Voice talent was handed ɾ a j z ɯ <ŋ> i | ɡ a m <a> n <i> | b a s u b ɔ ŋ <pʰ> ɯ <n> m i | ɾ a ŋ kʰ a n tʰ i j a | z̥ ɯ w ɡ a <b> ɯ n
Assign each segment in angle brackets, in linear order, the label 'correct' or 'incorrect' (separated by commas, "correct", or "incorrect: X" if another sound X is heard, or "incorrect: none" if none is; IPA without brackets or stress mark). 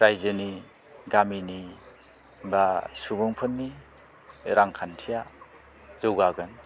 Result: incorrect: n, incorrect: i, correct, correct, correct, incorrect: ɡ